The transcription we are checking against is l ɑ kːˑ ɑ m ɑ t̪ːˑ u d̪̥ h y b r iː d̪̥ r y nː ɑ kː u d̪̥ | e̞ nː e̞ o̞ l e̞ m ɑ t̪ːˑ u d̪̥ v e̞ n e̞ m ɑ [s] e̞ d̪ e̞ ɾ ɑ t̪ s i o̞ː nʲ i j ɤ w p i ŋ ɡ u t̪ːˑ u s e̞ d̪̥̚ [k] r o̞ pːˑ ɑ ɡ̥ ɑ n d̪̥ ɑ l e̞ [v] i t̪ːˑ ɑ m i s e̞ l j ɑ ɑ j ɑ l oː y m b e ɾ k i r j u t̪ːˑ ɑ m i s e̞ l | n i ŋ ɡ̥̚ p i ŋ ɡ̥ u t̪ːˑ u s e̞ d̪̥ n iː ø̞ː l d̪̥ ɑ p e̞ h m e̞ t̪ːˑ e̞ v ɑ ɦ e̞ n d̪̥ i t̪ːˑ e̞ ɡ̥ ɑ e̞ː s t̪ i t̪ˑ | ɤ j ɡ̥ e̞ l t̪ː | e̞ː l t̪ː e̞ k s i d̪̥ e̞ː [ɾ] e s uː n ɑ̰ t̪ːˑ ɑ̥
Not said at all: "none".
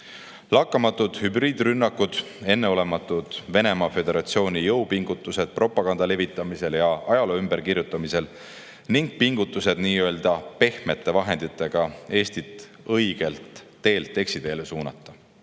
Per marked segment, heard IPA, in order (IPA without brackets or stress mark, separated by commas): f, p, v, l